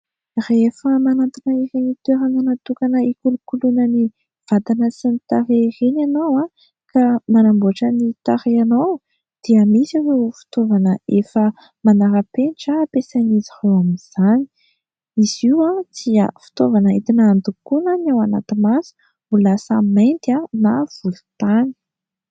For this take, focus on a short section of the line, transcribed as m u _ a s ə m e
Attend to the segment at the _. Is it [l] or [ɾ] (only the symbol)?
l